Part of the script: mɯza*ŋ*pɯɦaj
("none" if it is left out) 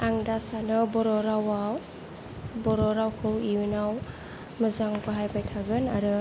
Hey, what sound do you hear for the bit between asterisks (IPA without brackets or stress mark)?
ŋ